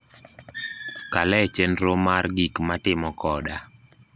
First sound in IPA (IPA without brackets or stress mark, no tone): k